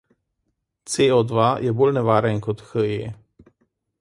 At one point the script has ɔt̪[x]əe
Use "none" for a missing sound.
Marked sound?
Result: x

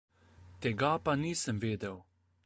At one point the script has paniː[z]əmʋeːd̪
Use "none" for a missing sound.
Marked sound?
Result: s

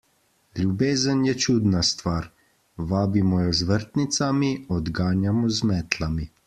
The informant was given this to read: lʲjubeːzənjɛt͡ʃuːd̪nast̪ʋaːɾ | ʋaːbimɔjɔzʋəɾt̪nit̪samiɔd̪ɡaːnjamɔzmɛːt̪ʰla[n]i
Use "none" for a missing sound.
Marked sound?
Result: m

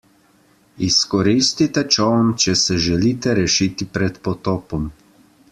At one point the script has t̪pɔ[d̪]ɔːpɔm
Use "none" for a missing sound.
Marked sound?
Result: t̪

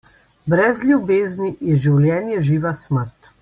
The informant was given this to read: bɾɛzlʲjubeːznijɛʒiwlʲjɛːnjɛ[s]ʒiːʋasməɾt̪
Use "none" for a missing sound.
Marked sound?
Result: none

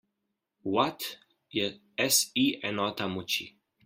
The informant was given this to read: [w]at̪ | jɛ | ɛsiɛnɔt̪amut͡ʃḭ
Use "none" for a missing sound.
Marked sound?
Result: w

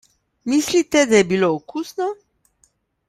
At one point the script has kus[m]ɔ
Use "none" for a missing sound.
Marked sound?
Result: n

